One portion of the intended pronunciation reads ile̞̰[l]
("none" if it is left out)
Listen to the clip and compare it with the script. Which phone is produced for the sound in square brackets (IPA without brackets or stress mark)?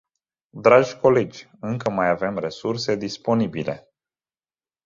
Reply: none